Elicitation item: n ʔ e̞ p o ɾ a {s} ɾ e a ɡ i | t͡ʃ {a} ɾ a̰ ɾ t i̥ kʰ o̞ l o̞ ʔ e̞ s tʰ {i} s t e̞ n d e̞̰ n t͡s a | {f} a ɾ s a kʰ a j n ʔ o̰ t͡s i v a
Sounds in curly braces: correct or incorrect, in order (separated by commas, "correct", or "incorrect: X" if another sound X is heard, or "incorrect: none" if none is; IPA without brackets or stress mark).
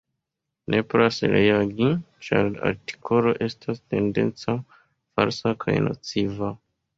correct, correct, incorrect: a, correct